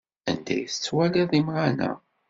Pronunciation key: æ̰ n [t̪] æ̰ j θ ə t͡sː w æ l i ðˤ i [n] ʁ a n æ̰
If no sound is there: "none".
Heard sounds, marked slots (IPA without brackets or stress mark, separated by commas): d̪, m